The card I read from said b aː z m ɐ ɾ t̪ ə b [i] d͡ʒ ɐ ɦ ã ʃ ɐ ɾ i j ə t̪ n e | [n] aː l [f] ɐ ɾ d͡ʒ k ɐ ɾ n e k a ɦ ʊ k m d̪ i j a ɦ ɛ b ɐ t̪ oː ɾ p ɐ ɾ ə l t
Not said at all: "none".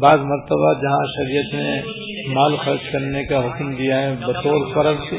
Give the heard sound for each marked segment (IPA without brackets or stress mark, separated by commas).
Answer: a, m, x